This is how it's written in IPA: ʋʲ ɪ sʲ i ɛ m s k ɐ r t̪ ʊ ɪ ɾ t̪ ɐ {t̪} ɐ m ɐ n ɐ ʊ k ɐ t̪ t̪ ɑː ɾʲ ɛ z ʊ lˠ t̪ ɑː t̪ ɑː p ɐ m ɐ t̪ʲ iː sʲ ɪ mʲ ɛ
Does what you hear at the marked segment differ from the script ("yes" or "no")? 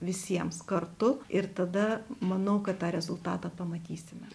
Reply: yes